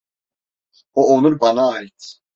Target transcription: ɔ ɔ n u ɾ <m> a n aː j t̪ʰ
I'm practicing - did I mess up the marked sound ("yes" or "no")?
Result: yes